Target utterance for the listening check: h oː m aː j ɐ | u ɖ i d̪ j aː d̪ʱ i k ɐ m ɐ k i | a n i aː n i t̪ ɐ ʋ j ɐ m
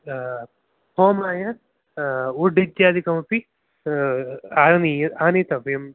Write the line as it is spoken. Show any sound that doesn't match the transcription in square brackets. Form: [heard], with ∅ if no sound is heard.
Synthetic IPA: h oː m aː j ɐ | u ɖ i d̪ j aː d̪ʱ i k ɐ m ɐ [p] i | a n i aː n i t̪ ɐ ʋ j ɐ m